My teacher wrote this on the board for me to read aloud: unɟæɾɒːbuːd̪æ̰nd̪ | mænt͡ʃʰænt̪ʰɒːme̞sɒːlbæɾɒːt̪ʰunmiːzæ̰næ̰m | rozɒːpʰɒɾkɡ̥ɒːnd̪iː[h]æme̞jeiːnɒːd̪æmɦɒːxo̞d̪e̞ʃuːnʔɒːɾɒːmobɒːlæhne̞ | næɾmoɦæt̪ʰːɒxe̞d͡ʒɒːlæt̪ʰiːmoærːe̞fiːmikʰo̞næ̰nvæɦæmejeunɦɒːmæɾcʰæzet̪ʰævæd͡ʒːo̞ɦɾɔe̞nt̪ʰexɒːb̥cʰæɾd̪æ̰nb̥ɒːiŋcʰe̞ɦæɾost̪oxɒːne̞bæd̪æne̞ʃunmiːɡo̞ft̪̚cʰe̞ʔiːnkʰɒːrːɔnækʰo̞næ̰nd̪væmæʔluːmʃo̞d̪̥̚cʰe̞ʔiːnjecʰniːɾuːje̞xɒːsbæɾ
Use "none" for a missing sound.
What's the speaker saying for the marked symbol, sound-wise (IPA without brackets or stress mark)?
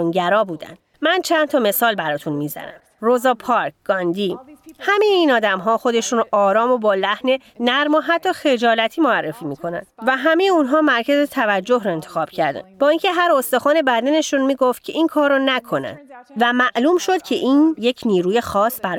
h